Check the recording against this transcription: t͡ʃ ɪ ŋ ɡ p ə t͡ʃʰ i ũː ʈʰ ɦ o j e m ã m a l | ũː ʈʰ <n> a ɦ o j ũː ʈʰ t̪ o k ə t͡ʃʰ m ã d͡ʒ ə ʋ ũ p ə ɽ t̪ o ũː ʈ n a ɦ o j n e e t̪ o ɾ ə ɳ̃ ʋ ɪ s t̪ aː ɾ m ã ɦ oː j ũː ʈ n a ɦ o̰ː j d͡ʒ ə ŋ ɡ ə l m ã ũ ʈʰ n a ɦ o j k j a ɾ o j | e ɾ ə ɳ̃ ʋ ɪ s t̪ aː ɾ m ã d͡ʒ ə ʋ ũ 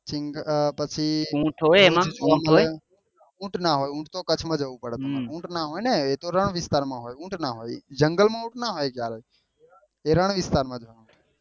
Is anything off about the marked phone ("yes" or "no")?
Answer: no